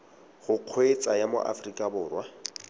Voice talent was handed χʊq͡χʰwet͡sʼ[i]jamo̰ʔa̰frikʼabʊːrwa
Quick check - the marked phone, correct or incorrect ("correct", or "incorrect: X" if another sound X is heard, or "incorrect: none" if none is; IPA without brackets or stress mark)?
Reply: incorrect: a